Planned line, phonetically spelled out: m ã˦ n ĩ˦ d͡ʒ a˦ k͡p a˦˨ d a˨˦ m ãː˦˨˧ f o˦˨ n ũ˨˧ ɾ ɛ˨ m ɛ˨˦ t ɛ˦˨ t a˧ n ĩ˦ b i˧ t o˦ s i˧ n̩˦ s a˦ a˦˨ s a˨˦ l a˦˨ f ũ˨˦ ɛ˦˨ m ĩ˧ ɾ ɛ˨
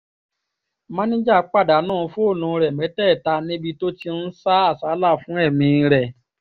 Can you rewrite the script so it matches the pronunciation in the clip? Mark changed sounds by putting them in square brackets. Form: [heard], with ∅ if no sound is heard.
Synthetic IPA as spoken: m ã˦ n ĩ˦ d͡ʒ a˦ k͡p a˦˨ d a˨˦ [n] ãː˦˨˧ f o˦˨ n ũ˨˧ ɾ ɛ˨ m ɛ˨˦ t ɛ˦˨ t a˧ n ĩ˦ b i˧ t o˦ [t] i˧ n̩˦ s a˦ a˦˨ s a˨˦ l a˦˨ f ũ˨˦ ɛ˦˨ m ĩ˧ ɾ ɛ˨